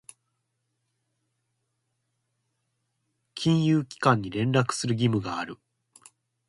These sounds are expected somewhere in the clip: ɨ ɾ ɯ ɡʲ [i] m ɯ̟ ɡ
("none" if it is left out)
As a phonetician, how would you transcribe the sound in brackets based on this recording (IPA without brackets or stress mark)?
i